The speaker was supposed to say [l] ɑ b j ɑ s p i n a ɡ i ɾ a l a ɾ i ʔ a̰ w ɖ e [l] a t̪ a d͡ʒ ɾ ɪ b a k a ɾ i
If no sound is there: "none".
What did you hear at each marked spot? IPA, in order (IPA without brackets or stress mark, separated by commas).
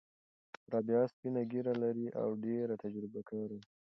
ɾ, ɾ